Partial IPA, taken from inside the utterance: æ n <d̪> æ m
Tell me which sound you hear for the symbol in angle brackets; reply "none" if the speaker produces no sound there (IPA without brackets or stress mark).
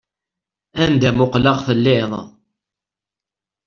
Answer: d̪